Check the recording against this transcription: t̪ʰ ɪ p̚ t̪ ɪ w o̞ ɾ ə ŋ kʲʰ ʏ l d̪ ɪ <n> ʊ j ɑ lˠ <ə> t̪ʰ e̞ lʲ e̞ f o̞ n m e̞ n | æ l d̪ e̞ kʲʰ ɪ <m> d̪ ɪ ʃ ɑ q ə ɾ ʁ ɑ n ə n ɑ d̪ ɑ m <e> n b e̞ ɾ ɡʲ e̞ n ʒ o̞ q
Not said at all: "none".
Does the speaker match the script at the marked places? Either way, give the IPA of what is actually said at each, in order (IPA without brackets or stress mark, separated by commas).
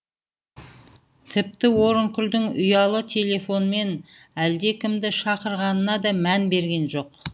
ŋ, ə, m, æ